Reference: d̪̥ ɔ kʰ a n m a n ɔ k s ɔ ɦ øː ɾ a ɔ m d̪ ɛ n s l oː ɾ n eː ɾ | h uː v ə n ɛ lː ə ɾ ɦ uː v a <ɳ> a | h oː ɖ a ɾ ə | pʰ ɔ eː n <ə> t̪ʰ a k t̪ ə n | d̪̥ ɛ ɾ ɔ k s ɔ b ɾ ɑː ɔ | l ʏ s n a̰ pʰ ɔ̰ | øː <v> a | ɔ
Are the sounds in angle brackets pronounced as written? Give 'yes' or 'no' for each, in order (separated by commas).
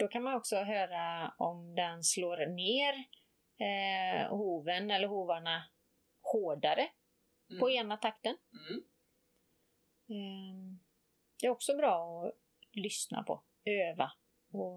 yes, no, yes